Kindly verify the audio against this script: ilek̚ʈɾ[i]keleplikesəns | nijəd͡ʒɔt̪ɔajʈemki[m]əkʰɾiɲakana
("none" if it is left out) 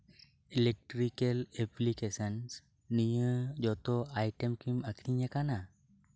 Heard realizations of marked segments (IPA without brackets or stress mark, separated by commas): i, m